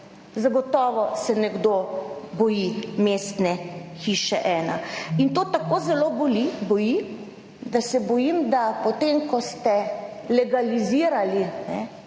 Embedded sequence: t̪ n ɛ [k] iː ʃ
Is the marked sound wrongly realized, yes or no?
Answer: yes